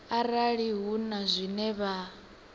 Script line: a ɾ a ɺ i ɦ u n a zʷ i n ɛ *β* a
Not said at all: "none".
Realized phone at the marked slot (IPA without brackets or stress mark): β